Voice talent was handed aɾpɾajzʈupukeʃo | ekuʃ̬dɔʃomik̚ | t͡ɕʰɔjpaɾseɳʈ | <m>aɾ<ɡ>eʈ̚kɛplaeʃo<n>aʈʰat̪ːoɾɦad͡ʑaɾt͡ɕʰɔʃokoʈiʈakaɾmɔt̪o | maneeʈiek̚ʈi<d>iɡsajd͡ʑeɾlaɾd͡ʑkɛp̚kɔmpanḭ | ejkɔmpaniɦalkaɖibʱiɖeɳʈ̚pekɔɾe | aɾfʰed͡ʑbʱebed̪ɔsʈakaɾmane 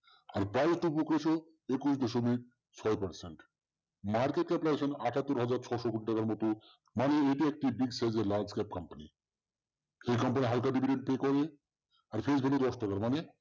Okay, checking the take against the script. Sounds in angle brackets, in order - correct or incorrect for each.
correct, incorrect, correct, incorrect

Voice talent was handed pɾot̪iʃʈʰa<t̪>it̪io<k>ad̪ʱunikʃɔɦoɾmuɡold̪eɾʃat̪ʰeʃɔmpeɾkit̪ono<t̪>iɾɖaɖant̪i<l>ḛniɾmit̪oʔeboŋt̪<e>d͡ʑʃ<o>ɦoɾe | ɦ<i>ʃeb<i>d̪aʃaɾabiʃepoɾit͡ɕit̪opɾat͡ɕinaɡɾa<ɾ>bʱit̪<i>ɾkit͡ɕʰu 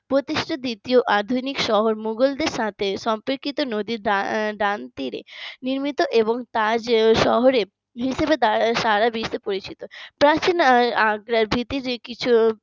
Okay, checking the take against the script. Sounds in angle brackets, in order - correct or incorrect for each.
incorrect, incorrect, incorrect, incorrect, incorrect, incorrect, correct, incorrect, correct, correct

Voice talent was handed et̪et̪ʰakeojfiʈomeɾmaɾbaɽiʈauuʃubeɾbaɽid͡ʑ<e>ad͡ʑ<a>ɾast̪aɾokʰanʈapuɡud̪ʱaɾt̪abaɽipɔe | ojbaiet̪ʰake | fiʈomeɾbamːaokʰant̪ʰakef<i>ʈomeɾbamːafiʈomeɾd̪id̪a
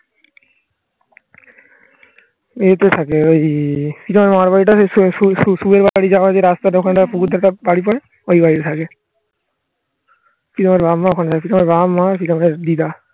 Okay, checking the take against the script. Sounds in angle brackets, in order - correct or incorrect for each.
incorrect, incorrect, correct

